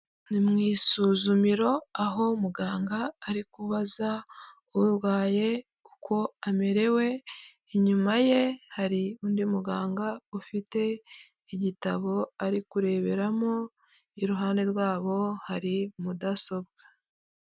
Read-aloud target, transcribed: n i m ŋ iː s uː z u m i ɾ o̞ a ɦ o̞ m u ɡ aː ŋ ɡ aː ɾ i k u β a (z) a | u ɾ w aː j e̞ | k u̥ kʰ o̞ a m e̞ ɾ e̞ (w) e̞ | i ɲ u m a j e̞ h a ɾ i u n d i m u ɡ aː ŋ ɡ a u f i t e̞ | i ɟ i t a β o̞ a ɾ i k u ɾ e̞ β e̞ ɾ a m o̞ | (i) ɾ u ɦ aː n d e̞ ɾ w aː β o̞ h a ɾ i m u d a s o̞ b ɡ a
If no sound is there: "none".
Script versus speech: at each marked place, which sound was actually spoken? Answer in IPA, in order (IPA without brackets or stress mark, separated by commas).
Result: z, w, i